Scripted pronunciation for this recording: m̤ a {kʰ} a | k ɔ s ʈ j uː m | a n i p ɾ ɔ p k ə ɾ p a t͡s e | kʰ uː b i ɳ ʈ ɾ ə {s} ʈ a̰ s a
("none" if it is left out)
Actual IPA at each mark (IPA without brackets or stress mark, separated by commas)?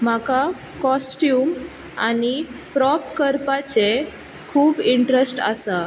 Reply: k, s